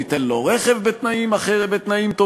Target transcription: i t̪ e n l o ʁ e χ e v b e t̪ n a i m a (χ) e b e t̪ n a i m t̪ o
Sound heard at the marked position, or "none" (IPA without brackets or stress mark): χ